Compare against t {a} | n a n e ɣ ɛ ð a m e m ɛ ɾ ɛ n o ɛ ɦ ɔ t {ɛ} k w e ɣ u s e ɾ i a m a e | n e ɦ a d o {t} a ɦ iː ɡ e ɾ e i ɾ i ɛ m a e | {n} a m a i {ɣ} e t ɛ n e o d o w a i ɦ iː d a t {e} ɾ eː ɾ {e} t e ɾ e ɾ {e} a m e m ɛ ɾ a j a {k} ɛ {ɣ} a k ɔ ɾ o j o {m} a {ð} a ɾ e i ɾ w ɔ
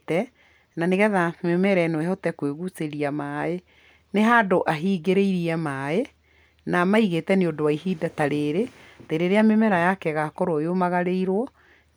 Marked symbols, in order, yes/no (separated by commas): no, yes, no, yes, yes, no, yes, yes, yes, yes, yes, no